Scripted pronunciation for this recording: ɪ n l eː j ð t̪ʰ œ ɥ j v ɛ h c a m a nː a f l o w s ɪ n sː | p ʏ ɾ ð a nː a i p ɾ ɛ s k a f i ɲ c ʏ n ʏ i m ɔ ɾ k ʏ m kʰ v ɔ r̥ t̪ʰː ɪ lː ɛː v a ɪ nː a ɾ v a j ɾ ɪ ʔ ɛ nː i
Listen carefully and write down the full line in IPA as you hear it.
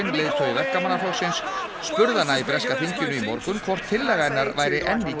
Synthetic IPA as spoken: ɪ n l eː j ð t̪ʰ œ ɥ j v ɛ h k a m a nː a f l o w s ɪ n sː | p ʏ ɾ ð a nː a i p ɾ ɛ s k a f i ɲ c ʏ n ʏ i m ɔ ɾ k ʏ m kʰ v ɔ r̥ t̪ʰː ɪ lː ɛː ɣ a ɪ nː a ɾ v a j ɾ ɪ ʔ ɛ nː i